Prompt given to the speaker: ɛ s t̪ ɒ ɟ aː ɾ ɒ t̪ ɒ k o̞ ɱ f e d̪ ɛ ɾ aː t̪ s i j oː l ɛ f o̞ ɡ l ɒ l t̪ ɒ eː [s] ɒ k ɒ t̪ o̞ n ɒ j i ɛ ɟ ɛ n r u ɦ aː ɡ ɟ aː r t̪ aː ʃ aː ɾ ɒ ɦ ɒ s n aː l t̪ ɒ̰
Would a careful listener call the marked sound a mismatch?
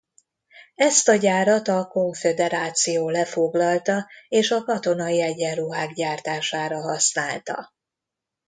yes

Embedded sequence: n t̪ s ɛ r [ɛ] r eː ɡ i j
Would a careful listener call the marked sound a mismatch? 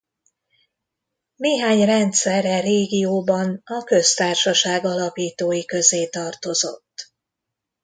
no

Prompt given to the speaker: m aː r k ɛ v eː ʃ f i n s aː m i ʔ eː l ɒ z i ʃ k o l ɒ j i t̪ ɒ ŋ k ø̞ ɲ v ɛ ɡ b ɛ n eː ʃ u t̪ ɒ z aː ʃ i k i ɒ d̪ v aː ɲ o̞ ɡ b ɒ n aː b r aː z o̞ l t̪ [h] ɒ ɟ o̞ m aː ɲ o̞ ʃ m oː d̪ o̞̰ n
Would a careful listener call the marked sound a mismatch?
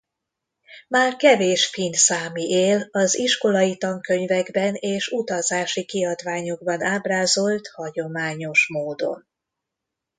no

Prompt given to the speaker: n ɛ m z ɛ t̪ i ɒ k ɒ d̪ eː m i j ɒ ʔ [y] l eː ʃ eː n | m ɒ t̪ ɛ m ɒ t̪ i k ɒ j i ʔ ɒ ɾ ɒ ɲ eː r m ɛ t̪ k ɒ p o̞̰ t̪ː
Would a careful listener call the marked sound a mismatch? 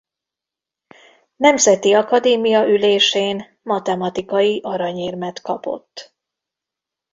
no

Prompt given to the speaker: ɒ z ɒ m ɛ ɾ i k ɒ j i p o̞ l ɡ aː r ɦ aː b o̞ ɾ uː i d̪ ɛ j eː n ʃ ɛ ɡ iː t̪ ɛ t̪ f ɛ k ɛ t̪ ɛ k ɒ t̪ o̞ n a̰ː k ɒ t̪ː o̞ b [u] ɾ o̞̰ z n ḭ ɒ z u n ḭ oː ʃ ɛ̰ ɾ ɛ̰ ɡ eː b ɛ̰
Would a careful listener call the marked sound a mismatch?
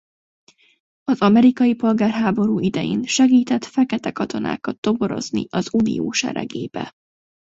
yes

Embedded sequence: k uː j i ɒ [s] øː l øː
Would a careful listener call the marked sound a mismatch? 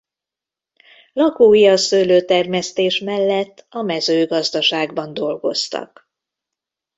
no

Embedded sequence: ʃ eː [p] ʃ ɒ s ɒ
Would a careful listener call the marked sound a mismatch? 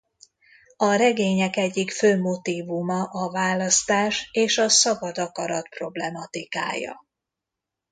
yes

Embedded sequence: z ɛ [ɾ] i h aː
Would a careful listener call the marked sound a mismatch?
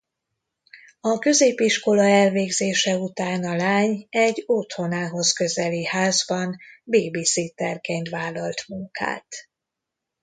yes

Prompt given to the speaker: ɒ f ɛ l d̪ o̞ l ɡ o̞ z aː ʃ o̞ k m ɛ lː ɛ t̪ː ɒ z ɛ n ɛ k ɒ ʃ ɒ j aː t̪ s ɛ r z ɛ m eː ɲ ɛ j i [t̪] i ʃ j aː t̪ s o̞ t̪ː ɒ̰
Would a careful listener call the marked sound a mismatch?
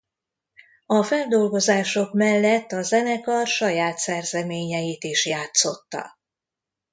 no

